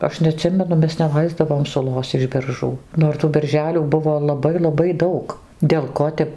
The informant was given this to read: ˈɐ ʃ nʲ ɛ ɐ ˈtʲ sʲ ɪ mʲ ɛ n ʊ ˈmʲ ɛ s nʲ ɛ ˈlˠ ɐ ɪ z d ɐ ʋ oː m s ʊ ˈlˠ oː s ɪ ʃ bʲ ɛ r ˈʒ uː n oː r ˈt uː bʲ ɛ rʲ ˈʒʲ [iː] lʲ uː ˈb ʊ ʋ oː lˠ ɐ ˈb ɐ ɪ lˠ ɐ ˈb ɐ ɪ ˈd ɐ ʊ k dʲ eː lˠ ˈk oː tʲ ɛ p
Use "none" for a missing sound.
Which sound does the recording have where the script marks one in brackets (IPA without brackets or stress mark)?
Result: æː